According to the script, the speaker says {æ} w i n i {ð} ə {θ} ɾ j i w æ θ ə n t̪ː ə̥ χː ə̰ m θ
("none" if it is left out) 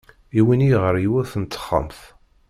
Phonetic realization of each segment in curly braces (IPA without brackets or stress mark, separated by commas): i, ʁ, none